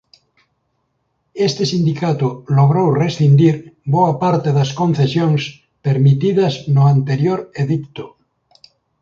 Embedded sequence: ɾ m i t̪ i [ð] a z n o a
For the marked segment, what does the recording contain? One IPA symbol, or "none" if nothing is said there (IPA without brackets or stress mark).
ð